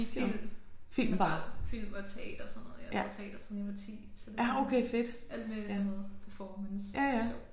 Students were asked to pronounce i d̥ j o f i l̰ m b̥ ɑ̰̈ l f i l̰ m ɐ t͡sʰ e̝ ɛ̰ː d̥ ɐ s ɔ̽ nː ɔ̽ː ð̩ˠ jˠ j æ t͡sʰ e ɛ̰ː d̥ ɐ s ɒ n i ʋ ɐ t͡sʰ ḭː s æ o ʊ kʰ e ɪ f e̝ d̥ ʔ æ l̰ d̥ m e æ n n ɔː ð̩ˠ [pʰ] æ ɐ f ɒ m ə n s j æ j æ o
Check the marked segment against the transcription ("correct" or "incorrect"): correct